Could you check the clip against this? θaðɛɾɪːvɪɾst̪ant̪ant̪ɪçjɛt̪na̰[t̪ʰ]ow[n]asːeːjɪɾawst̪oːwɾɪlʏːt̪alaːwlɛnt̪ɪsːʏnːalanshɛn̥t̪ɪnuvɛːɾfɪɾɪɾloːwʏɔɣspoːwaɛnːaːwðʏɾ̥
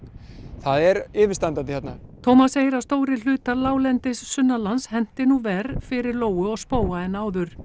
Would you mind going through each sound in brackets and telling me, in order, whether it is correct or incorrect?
correct, incorrect: m

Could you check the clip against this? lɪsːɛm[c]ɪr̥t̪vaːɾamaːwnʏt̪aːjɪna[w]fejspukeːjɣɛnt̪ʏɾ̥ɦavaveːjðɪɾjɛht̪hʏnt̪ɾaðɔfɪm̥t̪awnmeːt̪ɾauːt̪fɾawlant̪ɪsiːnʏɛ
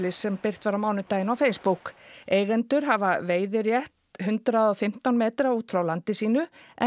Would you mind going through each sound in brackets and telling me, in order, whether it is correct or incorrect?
incorrect: p, correct

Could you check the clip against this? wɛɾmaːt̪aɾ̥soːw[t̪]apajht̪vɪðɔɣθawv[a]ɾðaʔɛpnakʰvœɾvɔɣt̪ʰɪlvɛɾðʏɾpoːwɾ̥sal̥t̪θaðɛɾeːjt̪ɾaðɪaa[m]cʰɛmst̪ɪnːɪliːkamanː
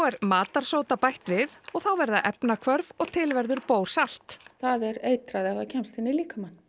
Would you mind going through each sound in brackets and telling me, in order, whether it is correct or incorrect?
correct, incorrect: ɛ, incorrect: none

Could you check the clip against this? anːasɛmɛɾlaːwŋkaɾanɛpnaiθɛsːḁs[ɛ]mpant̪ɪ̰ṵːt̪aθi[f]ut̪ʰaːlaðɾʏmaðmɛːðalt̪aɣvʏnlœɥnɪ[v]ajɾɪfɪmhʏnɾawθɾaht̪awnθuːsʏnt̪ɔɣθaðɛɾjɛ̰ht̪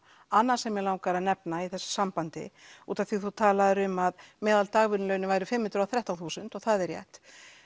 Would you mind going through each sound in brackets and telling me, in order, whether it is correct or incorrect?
incorrect: a, incorrect: θ, correct

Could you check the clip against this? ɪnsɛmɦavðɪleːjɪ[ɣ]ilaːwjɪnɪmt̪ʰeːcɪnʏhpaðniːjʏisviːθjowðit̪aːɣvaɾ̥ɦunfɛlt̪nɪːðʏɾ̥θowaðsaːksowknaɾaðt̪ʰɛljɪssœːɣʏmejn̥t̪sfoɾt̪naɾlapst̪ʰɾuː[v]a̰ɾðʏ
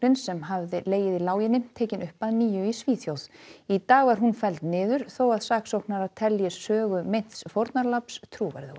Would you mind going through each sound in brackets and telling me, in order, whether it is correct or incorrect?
incorrect: ð, correct

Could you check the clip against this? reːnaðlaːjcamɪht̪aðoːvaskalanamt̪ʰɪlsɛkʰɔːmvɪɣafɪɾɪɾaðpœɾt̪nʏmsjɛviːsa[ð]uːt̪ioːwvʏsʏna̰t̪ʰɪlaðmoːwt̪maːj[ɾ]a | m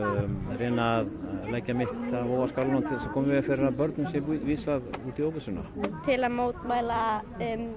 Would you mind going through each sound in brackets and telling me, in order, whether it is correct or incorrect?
correct, incorrect: l

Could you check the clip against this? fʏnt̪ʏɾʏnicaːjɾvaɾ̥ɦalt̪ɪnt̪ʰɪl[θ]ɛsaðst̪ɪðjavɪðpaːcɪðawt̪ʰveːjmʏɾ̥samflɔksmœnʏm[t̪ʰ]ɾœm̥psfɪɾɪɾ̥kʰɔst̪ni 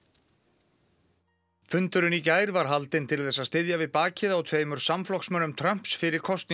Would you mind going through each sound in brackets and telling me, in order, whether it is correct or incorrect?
correct, correct

